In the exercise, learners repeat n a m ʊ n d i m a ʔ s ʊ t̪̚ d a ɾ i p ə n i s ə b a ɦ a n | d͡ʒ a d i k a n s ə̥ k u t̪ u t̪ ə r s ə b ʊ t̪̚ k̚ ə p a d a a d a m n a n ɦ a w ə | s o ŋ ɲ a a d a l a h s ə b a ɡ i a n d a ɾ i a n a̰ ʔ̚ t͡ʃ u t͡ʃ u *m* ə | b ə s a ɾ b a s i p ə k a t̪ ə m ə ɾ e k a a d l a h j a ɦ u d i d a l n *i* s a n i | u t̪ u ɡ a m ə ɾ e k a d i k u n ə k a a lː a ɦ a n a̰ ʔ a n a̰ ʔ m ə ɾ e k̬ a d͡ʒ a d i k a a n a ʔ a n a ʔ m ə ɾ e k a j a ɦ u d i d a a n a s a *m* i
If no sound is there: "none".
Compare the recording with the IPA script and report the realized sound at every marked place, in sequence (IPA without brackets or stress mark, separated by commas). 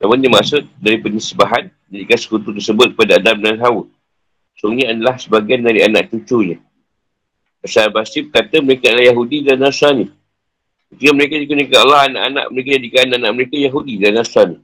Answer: ɲ, a, n